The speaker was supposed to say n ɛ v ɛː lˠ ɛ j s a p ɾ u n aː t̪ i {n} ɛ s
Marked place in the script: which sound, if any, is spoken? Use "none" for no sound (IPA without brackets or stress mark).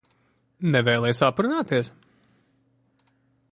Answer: none